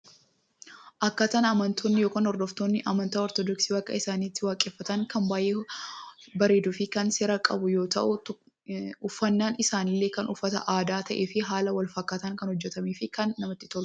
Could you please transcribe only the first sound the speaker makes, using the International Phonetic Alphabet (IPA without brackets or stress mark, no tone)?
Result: ʔ